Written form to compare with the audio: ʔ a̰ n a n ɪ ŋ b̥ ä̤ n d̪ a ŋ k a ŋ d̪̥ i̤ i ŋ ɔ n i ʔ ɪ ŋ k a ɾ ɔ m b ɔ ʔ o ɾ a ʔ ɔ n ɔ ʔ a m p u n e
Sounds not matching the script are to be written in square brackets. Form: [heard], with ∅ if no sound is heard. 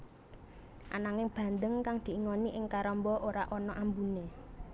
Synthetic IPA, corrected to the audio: ʔ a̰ n a [ŋ] ɪ ŋ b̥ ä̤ n d̪ [ə] ŋ k a ŋ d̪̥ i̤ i ŋ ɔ n i ʔ ɪ ŋ k a ɾ ɔ m b ɔ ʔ o ɾ a ʔ ɔ n ɔ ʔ a m [b] u n e